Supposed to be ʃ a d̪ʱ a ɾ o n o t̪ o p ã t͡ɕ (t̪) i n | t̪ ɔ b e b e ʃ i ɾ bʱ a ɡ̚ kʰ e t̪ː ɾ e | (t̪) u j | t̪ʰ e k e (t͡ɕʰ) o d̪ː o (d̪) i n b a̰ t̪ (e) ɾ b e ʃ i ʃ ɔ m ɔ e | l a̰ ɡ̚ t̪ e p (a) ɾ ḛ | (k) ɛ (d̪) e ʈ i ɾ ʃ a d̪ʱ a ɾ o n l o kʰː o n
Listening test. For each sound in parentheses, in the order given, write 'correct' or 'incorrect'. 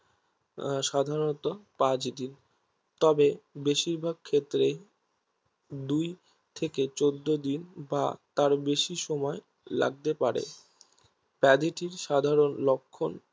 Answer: incorrect, incorrect, incorrect, correct, incorrect, correct, incorrect, correct

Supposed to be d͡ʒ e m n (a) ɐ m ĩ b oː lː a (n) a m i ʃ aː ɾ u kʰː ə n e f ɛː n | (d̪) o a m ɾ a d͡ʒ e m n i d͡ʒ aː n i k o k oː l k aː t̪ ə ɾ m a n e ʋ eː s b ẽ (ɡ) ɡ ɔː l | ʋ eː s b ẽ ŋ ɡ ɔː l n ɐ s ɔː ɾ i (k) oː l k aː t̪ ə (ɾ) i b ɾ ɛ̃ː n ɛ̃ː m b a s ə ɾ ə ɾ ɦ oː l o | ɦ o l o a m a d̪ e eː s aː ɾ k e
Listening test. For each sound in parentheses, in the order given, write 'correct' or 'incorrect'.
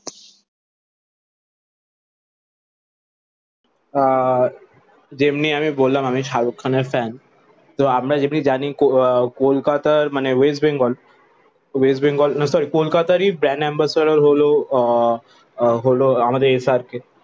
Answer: incorrect, incorrect, incorrect, incorrect, correct, correct

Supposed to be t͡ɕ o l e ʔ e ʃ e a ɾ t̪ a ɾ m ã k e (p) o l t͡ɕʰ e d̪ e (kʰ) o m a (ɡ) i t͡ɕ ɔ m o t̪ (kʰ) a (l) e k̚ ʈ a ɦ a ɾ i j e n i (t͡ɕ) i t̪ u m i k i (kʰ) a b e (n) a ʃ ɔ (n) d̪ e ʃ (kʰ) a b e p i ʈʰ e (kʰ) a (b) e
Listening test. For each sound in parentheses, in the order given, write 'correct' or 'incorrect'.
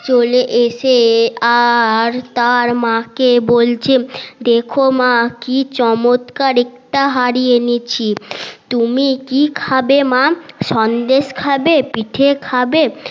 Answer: incorrect, correct, incorrect, incorrect, incorrect, incorrect, correct, incorrect, correct, correct, correct, correct

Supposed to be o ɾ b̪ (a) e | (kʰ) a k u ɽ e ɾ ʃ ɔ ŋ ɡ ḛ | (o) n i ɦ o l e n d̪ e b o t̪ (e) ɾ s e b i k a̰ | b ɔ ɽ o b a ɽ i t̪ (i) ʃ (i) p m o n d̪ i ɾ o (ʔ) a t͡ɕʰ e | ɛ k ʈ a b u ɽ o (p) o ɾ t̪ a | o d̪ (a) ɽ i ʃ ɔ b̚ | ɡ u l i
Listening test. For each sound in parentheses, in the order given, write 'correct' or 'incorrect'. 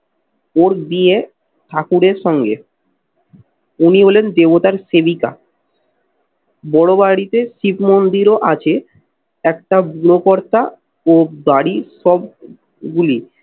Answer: incorrect, incorrect, incorrect, incorrect, incorrect, correct, correct, incorrect, correct

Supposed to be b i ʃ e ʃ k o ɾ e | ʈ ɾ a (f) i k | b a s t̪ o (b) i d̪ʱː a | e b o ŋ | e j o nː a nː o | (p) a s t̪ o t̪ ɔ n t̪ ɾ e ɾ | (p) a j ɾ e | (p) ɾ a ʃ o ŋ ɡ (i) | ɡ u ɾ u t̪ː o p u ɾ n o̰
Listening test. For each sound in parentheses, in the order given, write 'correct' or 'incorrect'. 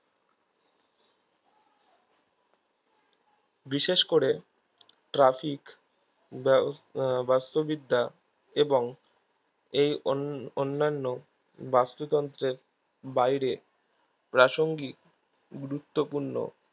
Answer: correct, correct, incorrect, incorrect, correct, correct

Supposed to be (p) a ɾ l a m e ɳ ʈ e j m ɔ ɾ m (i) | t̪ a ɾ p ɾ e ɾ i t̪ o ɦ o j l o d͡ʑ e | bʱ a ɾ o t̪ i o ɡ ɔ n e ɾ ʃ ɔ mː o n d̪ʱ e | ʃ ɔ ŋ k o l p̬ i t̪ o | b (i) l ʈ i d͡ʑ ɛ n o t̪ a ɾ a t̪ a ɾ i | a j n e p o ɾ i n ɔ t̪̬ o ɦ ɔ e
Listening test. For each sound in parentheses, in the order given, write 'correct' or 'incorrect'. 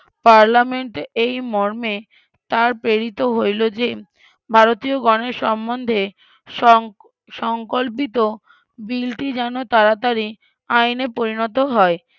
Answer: correct, incorrect, correct

